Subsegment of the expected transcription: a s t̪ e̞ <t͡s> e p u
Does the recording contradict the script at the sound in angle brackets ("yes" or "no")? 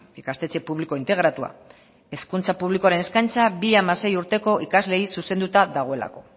no